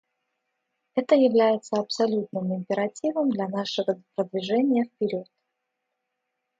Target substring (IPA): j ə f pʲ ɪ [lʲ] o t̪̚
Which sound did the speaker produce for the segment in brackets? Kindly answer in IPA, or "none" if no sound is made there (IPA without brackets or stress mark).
ɾʲ